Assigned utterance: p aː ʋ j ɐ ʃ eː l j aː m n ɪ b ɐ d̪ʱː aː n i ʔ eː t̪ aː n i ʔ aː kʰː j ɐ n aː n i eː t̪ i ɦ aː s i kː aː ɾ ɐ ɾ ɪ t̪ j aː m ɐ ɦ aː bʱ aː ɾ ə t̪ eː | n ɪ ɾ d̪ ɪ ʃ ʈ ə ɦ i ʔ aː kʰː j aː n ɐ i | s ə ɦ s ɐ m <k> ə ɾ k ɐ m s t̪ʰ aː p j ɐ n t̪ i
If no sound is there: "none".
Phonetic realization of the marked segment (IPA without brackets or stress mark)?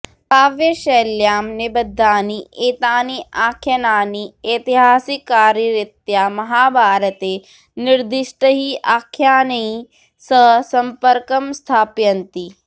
p